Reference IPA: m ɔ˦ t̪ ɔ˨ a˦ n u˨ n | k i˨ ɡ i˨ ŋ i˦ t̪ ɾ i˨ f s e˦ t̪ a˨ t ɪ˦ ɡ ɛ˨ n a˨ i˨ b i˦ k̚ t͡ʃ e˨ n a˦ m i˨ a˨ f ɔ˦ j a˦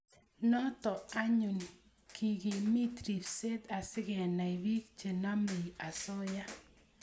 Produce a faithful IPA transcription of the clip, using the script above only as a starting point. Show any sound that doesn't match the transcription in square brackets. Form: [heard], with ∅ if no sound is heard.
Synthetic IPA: [n] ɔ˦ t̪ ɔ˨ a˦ [ɲ] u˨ n | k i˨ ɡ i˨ [m] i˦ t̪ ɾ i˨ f s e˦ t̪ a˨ [s] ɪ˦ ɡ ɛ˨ n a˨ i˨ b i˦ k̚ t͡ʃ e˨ n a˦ m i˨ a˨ [s] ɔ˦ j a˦